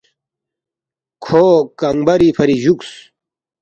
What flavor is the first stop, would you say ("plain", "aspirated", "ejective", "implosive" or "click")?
aspirated